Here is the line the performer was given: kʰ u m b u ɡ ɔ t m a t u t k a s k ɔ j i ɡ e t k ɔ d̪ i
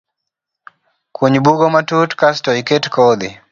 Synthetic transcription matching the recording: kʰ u ɲ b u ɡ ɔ m a t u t k a s t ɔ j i k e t k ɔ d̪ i

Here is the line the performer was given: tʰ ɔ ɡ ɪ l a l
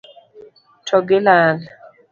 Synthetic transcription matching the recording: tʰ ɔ ɡ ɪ l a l

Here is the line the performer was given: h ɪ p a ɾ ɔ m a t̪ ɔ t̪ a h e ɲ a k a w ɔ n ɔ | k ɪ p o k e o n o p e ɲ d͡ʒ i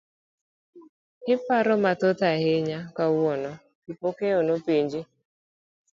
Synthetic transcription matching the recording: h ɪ p a ɾ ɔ m a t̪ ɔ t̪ a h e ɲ a k a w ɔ n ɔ | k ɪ p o k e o n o p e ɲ d͡ʒ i

